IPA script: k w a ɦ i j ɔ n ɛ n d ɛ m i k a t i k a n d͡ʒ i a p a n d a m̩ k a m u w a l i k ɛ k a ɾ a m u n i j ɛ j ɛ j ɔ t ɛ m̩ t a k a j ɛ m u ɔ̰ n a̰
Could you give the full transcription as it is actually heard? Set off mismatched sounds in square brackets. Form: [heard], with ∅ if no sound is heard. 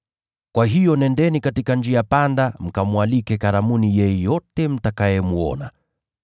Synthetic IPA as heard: k w a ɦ i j ɔ n ɛ n d ɛ [n] i k a t i k a n d͡ʒ i a p a n d a m̩ k a m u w a l i k ɛ k a ɾ a m u n i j ɛ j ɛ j ɔ t ɛ m̩ t a k a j ɛ m u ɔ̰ n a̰